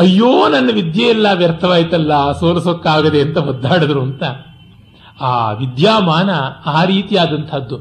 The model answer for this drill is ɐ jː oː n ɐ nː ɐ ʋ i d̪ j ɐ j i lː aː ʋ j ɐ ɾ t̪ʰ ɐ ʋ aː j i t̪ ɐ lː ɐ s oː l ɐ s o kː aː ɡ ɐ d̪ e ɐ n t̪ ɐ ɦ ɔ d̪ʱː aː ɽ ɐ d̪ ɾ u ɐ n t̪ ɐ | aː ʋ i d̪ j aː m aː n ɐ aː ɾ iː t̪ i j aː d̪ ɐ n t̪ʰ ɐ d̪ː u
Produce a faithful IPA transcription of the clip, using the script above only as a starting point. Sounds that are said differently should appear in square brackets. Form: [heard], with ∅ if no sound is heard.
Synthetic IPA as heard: ɐ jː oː n ɐ nː ɐ ʋ i d̪ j ɐ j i lː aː ʋ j ɐ ɾ t̪ʰ ɐ ʋ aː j i t̪ ɐ lː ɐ s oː l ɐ s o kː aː ɡ ɐ d̪ e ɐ n t̪ ɐ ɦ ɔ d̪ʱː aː ɽ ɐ d̪ ɾ u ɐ n t̪ ɐ | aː ʋ i d̪ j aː m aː n ɐ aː ɾ iː t̪ i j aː d̪ ɐ n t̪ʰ ɐ d̪ː u